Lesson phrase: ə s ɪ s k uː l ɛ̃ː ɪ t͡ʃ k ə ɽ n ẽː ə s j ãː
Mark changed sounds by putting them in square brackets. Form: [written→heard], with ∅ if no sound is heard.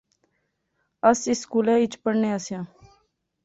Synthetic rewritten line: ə s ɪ s k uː l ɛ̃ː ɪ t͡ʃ [k→p] ə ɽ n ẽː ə s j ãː